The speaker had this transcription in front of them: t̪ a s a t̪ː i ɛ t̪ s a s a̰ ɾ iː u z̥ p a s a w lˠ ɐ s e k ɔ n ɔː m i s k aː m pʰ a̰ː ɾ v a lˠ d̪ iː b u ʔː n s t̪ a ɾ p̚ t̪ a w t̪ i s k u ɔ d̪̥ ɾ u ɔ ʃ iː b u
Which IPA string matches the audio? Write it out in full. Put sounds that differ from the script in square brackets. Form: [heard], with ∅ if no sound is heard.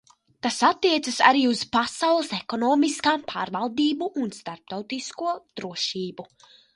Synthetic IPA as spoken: t̪ a s a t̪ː i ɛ t̪ s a s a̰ ɾ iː u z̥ p a s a w lˠ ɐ s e k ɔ n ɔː m i s k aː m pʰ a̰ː ɾ v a lˠ d̪ iː b u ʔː n s t̪ a ɾ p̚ t̪ a w t̪ i s k u ɔ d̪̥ ɾ u ɔ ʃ iː b u

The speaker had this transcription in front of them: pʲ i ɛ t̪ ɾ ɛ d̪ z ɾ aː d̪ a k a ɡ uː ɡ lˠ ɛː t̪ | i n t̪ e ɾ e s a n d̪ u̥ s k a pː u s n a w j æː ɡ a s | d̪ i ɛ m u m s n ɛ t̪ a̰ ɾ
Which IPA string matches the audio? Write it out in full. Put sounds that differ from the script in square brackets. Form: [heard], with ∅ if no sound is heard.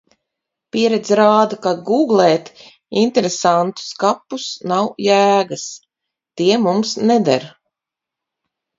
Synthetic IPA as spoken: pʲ i ɛ [∅] ɾ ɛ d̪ z ɾ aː d̪ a k a ɡ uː ɡ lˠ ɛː t̪ | i n t̪ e ɾ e s a n [t̪] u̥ s k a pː u s n a w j æː ɡ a s | [t̪] i ɛ m u m s n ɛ [d̪] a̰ ɾ

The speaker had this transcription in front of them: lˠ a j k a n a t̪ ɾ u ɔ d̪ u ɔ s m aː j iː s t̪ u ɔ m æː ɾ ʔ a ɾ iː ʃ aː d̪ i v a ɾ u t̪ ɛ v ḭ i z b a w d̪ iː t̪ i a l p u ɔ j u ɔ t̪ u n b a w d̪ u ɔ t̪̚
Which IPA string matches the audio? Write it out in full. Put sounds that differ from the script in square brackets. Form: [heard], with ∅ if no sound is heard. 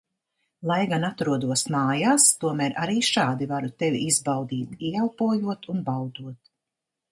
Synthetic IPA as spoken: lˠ a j [ɡ] a n a t̪ ɾ u ɔ d̪ u ɔ s m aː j [aː] s t̪ u ɔ m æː ɾ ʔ a ɾ iː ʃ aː d̪ i v a ɾ u t̪ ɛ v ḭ i z b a w d̪ iː t̪ i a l p u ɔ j u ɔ t̪ u n b a w d̪ u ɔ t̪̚

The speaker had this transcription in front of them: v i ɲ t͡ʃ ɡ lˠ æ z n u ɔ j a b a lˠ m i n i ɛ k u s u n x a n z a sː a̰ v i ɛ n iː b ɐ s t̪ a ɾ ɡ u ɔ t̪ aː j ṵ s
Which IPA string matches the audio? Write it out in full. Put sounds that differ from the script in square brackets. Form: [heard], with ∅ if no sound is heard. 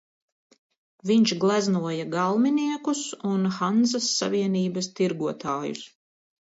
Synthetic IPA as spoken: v i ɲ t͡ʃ ɡ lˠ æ z n u ɔ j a [ɡ] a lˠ m i n i ɛ k u s u n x a n z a sː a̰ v i ɛ n iː b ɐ s t̪ [i] ɾ ɡ u ɔ t̪ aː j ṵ s

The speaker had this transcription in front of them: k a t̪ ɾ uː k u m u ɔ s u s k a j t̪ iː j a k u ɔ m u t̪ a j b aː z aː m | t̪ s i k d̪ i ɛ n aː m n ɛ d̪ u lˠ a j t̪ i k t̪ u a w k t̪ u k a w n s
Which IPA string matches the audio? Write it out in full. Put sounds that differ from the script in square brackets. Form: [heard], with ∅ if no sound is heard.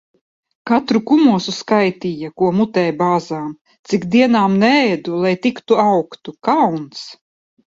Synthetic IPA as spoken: k a t̪ ɾ [u] k u m u ɔ s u s k a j t̪ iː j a k u ɔ m u t̪ [ɛ] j b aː z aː m | t̪ s i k d̪ i ɛ n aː m n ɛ d̪ u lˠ a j t̪ i k t̪ u a w k t̪ u k a w n s

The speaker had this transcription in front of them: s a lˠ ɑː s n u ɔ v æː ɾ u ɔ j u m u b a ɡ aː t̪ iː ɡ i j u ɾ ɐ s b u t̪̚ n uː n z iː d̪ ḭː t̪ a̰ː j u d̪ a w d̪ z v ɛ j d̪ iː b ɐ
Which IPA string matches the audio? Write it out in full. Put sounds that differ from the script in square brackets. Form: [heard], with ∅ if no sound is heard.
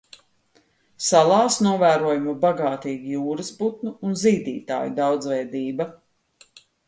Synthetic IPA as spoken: s a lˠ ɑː s n u ɔ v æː ɾ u ɔ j u m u b a ɡ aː t̪ iː ɡ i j [uː] ɾ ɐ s b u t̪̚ n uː n z iː d̪ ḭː t̪ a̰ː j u d̪ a w d̪ z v ɛ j d̪ iː b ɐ

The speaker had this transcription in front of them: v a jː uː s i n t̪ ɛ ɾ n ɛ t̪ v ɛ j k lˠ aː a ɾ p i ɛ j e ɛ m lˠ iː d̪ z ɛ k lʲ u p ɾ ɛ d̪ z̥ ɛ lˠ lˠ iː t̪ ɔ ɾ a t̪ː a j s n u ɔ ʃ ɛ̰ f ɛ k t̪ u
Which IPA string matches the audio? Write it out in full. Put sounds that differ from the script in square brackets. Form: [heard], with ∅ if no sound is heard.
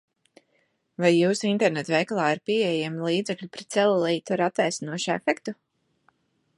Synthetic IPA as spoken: v a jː uː s i n t̪ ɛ ɾ n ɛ t̪ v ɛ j k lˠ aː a ɾ p i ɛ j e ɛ m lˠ iː d̪ z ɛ k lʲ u p ɾ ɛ [t̪] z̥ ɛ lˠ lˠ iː t̪ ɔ ɾ a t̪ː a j s n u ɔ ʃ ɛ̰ f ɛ k t̪ u

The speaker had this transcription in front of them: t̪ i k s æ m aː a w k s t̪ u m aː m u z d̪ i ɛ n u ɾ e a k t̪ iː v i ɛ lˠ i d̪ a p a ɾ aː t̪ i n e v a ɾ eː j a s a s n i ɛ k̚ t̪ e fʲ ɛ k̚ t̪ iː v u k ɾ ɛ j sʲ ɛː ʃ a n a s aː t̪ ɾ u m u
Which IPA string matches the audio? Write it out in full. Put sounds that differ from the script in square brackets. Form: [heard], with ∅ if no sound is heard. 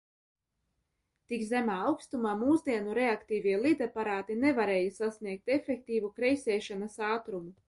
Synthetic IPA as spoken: t̪ i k [z] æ m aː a w k s t̪ u m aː m [uː] z d̪ i ɛ n u ɾ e a k t̪ iː v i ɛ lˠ i d̪ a p a ɾ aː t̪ i n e v a ɾ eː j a s a s n i ɛ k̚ t̪ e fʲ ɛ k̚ t̪ iː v u k ɾ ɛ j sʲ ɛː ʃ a n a s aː t̪ ɾ u m u

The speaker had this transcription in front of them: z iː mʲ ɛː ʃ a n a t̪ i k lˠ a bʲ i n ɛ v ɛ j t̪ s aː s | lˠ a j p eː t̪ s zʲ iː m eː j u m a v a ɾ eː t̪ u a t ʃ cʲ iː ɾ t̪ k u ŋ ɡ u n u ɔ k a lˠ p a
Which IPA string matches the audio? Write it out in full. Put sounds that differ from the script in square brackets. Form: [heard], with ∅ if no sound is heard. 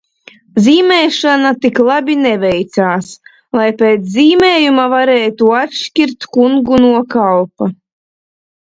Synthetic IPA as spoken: z iː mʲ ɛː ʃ a n a t̪ i k lˠ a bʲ i n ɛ v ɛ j t̪ s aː s | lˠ a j p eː t̪ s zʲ iː m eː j u m a v a ɾ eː t̪ u a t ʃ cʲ [i] ɾ t̪ k u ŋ ɡ u n u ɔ k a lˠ p a

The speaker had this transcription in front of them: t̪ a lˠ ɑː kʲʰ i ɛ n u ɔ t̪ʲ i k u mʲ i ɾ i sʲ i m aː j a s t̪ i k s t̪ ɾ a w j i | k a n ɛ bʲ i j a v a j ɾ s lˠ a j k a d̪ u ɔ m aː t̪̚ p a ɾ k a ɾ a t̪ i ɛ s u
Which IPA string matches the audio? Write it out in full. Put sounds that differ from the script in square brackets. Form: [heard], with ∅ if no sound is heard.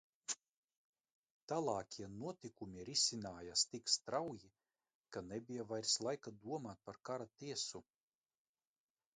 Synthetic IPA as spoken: t̪ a lˠ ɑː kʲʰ i ɛ n u ɔ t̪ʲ i k u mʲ i ɾ i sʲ i [n] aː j a s t̪ i k s t̪ ɾ a w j i | k a n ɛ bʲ i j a v a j ɾ s lˠ a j k a d̪ u ɔ m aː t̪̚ p a ɾ k a ɾ a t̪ i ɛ s u

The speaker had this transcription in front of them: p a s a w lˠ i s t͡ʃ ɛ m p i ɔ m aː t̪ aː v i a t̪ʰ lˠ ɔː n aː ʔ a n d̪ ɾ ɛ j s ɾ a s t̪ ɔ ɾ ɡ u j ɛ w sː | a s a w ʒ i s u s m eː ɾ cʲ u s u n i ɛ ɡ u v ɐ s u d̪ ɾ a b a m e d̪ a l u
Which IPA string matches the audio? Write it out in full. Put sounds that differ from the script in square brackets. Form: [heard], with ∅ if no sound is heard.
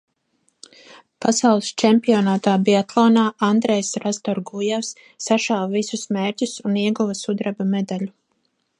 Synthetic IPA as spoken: p a s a w lˠ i s t͡ʃ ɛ m p i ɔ [n] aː t̪ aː [b] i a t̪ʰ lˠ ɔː n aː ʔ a n d̪ ɾ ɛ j s ɾ a s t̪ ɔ ɾ ɡ u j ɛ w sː | a [ʃ] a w [v] i s u s m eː ɾ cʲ u s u n i ɛ ɡ u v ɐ s u d̪ ɾ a b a m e d̪ a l u

